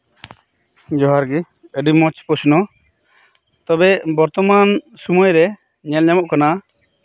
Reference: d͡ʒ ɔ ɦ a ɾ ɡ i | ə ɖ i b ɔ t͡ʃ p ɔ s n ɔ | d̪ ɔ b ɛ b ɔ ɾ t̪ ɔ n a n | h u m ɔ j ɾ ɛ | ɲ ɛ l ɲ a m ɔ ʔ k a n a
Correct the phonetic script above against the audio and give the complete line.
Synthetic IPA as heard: d͡ʒ ɔ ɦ a ɾ ɡ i | ə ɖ i m ɔ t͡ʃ p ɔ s n ɔ | t̪ ɔ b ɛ b ɔ ɾ t̪ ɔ m a n | s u m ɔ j ɾ ɛ | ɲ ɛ l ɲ a m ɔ ʔ k a n a